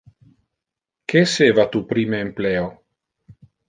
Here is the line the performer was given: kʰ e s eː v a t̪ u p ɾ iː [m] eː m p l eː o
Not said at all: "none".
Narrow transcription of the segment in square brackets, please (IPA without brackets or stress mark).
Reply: m